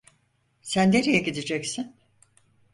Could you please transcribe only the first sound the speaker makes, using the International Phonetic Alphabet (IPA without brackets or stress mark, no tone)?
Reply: s